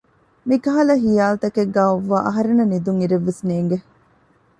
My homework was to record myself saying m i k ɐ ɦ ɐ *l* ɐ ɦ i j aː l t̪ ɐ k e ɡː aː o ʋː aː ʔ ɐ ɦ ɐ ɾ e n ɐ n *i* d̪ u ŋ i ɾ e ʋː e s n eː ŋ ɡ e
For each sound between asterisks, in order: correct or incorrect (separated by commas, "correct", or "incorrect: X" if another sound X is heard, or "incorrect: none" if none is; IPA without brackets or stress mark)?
correct, correct